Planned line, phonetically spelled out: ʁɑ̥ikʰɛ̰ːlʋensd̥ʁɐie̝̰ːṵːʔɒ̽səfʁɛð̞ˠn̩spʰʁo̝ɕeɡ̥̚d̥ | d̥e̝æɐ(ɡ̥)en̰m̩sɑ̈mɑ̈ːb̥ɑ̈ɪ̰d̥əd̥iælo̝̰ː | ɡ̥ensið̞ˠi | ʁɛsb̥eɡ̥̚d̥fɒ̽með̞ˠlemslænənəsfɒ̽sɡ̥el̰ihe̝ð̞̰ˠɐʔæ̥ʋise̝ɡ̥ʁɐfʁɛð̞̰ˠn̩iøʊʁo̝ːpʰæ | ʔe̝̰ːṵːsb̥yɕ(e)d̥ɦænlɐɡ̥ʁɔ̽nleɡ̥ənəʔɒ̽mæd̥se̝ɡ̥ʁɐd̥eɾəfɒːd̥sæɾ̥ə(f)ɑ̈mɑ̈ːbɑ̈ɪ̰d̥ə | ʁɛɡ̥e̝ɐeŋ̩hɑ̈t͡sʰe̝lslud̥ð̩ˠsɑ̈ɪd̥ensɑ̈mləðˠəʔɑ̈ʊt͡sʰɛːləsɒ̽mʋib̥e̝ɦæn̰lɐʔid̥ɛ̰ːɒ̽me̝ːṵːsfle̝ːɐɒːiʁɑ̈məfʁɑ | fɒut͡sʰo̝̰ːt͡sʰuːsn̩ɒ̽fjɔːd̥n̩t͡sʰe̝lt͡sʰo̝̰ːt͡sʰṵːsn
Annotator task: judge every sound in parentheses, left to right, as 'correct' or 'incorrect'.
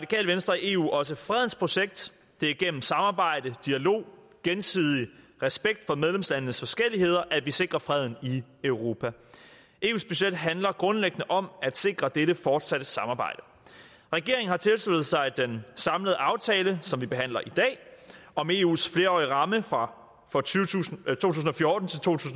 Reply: correct, correct, incorrect: s

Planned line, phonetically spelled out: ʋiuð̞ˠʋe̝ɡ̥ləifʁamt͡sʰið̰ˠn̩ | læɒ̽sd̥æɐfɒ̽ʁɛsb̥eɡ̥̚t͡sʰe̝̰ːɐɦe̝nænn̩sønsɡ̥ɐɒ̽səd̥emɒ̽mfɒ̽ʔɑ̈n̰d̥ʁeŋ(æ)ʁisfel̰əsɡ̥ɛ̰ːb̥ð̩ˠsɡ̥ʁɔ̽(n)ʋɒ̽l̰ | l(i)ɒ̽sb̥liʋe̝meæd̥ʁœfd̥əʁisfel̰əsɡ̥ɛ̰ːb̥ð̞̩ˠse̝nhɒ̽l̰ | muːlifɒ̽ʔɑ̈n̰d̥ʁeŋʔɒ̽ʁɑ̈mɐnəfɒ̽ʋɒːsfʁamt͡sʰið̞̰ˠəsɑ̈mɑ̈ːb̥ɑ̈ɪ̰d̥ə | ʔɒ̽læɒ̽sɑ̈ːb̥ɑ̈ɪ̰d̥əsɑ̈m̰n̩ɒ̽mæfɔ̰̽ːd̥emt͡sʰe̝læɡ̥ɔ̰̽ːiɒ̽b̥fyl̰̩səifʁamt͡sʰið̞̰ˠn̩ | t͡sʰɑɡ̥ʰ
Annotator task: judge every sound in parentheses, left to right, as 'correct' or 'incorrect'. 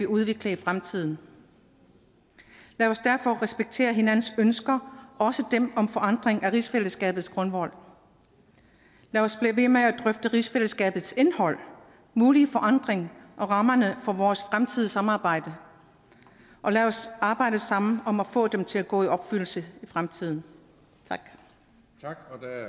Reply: correct, correct, incorrect: æ

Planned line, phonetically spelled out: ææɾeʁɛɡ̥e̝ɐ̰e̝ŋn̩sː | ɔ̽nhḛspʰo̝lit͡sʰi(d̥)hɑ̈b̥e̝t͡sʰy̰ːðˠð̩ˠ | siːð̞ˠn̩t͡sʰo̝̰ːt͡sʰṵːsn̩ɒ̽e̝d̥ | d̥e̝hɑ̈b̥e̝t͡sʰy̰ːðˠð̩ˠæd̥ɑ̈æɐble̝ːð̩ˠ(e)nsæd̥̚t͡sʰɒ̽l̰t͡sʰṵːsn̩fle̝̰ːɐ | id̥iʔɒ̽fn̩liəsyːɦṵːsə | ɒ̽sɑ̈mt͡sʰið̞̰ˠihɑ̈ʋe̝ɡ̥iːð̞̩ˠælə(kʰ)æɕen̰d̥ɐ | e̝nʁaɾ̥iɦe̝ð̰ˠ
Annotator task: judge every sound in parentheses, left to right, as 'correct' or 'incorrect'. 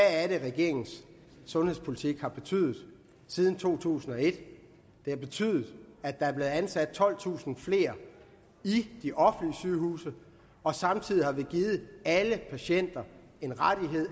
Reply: incorrect: ɡ̥, incorrect: æ, incorrect: pʰ

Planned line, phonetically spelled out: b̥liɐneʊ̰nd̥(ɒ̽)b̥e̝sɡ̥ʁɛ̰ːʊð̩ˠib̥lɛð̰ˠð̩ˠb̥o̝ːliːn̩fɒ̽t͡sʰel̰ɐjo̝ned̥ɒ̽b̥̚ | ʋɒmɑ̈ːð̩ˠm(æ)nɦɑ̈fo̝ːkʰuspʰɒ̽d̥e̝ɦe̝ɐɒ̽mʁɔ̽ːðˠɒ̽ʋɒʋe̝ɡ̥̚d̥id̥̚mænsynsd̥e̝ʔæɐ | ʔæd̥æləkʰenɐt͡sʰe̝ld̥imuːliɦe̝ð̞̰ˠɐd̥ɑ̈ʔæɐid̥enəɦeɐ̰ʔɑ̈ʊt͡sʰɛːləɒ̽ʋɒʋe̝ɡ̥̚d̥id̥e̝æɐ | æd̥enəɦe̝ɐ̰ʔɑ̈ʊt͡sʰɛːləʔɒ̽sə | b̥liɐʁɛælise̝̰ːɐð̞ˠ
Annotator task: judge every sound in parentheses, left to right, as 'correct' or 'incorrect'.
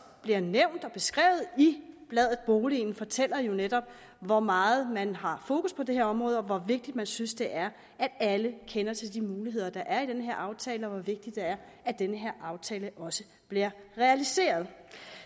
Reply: correct, correct

